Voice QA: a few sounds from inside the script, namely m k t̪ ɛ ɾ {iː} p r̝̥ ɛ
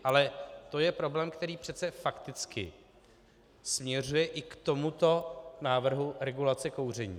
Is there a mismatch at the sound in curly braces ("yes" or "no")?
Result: no